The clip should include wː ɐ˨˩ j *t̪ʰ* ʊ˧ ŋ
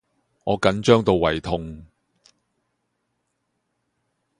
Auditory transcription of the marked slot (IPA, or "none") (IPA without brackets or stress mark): t̪ʰ